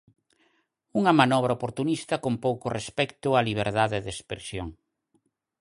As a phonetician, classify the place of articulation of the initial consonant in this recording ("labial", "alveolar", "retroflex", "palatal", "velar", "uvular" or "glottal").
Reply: velar